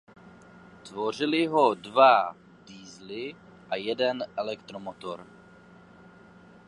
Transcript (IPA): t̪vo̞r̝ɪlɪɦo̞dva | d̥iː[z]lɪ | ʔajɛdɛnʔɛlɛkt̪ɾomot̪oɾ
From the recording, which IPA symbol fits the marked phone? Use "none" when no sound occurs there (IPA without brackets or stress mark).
z